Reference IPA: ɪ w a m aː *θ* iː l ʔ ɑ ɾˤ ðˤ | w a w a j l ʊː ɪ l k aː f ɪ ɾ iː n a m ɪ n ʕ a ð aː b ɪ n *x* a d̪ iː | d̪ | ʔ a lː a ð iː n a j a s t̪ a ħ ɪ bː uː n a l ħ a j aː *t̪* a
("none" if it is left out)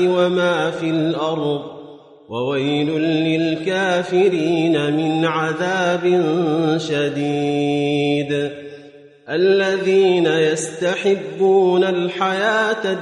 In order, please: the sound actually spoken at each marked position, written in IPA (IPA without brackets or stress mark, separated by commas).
f, ʃ, t̪